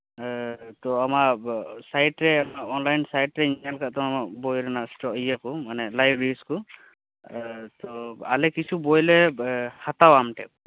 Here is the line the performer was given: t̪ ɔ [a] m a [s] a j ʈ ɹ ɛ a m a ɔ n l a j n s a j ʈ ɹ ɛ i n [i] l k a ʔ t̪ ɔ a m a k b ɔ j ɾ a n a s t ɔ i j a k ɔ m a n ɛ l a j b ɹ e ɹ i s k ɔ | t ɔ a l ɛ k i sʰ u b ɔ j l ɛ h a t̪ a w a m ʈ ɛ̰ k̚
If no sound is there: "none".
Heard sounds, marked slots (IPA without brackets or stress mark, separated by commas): a, s, a